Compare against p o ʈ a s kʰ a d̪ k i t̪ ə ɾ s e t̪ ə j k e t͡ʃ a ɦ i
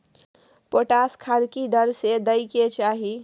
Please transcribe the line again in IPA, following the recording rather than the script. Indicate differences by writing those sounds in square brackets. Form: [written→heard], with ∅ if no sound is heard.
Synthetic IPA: p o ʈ a s kʰ a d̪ k i [t̪→d̪] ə ɾ s e [t̪→d̪] ə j k e t͡ʃ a ɦ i